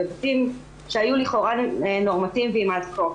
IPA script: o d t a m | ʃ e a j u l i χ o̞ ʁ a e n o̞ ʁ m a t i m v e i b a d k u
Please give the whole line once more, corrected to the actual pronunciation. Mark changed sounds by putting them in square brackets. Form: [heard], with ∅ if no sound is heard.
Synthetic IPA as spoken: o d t [i] m | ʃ e a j u l i χ o̞ ʁ a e n o̞ ʁ m a t i m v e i [m] a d k [o]

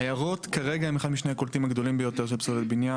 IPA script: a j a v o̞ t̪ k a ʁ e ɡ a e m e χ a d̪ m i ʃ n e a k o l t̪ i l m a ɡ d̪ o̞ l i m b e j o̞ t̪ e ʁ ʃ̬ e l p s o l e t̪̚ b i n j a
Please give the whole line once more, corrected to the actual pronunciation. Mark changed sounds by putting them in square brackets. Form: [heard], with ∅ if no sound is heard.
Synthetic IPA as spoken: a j a [ʁ] o̞ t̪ k a ʁ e ɡ a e m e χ a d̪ m i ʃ n e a k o l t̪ i [∅] m a ɡ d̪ o̞ l i m b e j o̞ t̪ e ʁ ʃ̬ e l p s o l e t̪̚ b i n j a

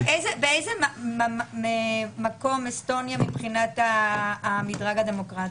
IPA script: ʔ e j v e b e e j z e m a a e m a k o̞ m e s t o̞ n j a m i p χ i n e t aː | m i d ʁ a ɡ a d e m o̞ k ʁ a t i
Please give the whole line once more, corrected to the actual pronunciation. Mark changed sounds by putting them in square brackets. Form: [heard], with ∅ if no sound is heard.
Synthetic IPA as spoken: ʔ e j [z] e b e e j z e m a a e m a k o̞ m e s t o̞ n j a m i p χ i n [a] t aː | m i d ʁ a ɡ a d e m o̞ k ʁ a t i

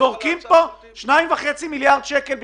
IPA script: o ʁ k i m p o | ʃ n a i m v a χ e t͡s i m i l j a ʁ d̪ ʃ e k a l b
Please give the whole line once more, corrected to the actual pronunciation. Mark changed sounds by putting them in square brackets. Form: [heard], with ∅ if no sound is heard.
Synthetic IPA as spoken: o ʁ k i m p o | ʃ n a i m v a χ e t͡s i m i l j a ʁ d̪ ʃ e k [e] l b

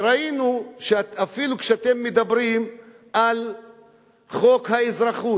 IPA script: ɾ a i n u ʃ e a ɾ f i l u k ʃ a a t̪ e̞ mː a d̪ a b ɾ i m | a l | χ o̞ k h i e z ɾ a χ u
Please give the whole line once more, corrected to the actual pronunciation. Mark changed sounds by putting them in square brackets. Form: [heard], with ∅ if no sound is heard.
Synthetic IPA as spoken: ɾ a i n u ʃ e a [∅] f i l u k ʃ [e] a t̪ e̞ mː [e] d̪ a b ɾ i m | a l | χ o̞ k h [a] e z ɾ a χ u

